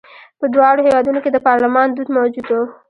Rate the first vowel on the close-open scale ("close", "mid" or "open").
mid